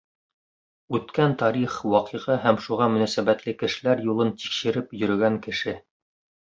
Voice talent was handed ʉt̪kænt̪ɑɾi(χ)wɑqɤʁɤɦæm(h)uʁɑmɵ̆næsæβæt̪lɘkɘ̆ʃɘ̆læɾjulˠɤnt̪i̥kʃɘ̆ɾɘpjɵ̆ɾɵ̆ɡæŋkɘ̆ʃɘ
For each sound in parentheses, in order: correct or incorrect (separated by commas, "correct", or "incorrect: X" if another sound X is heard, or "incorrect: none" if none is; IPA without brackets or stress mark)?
correct, incorrect: ʃ